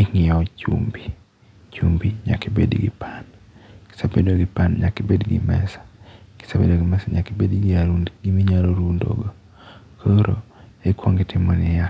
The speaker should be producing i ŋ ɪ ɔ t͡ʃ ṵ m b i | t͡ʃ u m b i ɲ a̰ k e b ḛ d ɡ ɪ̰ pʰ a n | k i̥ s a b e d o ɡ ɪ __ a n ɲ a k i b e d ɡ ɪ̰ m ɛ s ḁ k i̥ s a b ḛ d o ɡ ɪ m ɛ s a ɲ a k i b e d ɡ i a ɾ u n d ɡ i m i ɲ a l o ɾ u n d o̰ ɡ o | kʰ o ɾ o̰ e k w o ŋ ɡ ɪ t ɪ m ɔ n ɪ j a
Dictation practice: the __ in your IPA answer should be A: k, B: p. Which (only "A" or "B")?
B